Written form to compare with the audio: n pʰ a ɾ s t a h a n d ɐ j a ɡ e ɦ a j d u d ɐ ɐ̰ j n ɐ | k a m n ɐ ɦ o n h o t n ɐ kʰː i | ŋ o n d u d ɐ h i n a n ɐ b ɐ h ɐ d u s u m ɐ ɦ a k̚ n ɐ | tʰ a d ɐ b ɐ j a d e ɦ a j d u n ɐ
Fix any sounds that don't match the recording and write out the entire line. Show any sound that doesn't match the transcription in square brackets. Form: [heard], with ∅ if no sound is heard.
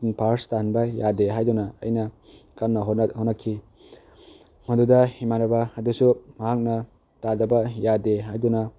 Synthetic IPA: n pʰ a ɾ s t a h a n [b] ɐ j a [d] e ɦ a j d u [n] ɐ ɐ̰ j n ɐ | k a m n ɐ ɦ o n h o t n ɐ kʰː i | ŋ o n d u d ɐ h i [m] a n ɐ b ɐ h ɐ d u s u m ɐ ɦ a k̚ n ɐ | [t] a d ɐ b ɐ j a d e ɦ a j d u n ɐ